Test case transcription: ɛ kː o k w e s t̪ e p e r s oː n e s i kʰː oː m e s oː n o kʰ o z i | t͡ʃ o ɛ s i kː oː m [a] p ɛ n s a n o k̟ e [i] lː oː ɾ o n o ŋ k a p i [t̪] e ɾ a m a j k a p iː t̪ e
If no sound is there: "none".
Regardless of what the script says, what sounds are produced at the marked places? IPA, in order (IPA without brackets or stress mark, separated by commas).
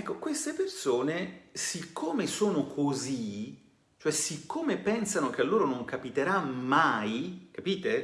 e, a, t̪